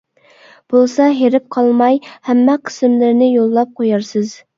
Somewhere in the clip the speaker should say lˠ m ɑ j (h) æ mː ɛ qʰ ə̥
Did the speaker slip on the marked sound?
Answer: no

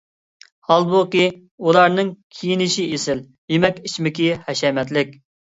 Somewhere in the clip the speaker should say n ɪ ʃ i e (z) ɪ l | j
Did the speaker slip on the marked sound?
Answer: yes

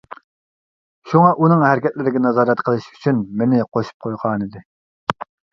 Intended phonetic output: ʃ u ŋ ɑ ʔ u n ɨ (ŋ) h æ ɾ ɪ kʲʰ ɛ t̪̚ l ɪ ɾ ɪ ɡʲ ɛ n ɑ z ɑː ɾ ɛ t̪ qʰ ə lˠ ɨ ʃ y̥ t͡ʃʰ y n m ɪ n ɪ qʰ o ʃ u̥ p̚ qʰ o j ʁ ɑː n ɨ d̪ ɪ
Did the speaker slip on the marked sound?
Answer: no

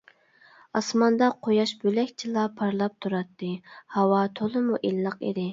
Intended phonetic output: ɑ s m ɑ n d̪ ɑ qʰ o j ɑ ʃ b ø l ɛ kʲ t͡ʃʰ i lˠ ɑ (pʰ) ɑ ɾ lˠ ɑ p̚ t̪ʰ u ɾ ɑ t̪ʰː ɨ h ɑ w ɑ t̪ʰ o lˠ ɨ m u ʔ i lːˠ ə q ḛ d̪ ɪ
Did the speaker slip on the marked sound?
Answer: no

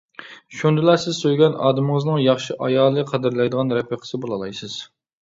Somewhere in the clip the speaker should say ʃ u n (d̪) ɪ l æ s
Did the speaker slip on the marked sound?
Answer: no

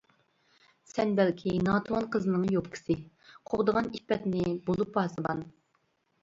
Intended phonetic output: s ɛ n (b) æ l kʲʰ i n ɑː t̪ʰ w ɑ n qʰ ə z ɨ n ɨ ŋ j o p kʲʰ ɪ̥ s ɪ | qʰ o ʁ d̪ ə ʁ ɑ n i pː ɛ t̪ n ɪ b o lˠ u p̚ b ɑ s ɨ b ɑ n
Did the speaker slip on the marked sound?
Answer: no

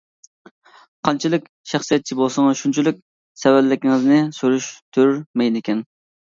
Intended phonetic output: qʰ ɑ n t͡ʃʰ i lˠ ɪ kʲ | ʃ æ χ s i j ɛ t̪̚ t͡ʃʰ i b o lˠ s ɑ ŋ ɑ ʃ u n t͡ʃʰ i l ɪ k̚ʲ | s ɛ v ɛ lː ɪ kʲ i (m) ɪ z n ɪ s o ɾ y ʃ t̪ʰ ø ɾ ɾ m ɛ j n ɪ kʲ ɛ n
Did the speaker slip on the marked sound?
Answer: yes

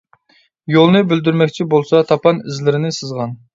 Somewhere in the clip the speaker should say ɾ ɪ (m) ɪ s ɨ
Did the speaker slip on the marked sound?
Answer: yes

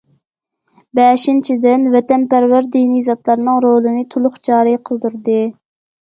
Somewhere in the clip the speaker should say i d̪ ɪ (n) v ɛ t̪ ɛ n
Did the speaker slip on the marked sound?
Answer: no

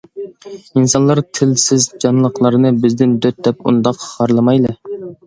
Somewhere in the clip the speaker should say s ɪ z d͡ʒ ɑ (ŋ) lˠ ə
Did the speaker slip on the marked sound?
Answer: yes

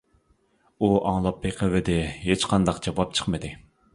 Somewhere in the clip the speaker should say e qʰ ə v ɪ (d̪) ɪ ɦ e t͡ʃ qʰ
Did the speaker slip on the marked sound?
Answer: no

